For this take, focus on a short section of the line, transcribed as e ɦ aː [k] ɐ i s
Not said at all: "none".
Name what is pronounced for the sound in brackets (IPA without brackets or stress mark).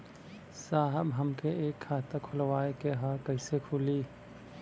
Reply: k